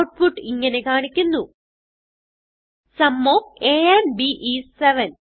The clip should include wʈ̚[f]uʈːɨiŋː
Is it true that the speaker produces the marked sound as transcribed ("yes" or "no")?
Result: yes